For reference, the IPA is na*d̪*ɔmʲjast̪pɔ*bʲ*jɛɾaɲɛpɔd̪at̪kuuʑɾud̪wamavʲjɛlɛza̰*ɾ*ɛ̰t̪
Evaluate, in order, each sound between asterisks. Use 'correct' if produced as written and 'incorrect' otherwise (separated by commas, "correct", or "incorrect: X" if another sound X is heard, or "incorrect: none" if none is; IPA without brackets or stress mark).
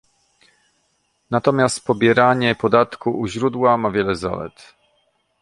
incorrect: t̪, correct, incorrect: l